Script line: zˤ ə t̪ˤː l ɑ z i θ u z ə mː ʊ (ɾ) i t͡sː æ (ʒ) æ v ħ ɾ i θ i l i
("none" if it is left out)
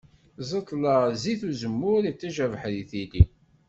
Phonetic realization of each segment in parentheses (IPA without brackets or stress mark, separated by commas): ɾ, ʒ